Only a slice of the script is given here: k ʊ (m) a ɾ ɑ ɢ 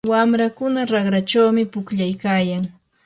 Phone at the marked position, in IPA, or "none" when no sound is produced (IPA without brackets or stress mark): n